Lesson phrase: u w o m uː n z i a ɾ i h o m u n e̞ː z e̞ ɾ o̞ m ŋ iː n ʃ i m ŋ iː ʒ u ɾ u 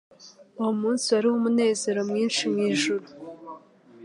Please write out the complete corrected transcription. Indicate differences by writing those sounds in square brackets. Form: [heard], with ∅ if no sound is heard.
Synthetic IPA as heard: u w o m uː n [s] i a ɾ i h o m u n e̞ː z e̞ ɾ o̞ m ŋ iː n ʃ i m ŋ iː ʒ u ɾ u